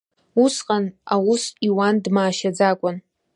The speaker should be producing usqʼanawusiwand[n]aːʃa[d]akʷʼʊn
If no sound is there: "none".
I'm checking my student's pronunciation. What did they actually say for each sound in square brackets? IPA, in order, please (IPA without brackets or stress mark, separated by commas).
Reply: m, d͡z